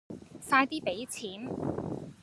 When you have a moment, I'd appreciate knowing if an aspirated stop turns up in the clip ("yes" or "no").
yes